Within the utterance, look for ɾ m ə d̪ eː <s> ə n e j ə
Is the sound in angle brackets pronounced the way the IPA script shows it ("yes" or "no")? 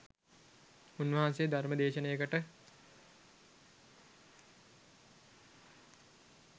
no